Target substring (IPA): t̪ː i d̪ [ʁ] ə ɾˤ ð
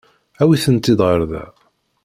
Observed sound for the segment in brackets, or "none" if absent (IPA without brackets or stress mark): ʁ